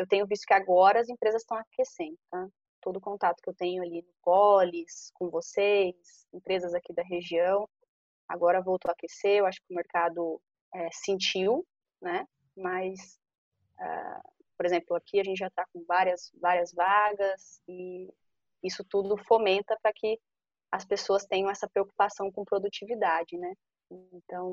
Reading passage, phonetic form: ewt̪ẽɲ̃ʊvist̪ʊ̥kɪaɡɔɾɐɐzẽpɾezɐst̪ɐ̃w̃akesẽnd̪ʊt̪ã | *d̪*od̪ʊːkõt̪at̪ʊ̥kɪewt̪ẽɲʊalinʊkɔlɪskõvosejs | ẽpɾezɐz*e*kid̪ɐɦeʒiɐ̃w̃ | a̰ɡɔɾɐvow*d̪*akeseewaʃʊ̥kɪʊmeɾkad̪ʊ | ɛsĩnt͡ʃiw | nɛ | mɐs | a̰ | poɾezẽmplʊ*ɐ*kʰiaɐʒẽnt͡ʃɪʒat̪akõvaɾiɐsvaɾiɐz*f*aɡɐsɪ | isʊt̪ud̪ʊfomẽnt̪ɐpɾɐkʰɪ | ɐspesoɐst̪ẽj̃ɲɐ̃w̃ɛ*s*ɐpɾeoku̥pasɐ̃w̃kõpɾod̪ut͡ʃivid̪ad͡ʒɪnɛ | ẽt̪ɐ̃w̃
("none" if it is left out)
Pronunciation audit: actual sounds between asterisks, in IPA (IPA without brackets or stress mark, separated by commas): t̪, a, t̪, a, v, s